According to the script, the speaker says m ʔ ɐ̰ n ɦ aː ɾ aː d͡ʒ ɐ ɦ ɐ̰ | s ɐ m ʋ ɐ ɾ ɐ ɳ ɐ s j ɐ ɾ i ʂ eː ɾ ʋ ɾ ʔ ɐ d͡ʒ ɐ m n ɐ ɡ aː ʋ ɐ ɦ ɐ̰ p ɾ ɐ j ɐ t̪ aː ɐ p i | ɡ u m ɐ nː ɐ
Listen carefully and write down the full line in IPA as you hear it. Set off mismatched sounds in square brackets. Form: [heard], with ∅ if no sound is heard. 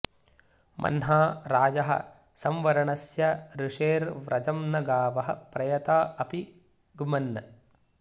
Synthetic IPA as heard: m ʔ ɐ̰ n ɦ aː ɾ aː d͡ʒ ɐ ɦ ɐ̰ | s ɐ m ʋ ɐ ɾ ɐ ɳ ɐ s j ɐ ɾ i ʂ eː ɾ ʋ ɾ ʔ ɐ d͡ʒ ɐ m n ɐ ɡ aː ʋ ɐ ɦ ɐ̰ p ɾ ɐ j ɐ t̪ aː ɐ p i | ɡ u m ɐ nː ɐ